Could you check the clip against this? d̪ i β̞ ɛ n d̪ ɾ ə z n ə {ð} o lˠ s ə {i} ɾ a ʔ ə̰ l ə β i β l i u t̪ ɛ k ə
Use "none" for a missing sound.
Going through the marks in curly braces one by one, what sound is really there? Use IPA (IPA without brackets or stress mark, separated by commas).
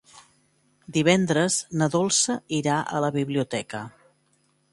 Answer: ð, i